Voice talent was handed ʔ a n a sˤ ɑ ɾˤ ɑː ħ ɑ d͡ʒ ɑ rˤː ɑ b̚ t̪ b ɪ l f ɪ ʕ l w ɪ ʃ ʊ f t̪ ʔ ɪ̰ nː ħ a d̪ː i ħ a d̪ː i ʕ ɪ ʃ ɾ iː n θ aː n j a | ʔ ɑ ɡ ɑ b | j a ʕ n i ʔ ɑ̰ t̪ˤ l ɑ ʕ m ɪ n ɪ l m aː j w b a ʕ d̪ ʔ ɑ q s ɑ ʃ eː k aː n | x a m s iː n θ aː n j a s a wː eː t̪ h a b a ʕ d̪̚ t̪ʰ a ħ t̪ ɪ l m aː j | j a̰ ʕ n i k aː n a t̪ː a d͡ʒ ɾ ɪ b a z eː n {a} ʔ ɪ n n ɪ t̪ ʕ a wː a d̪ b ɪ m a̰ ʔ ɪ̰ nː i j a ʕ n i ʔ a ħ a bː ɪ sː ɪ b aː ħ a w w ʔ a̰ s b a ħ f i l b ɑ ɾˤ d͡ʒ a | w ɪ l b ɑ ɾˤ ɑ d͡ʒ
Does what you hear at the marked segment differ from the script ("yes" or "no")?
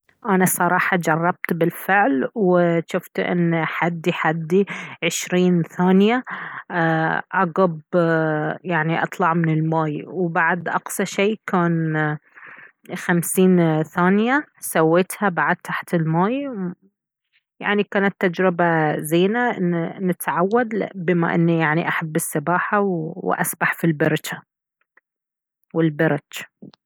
no